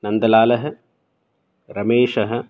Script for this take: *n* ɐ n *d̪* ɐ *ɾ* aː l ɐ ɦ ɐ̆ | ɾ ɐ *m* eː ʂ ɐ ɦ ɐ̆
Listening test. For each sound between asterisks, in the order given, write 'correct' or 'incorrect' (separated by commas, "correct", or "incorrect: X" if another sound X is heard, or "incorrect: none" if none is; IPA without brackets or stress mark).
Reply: correct, correct, incorrect: l, correct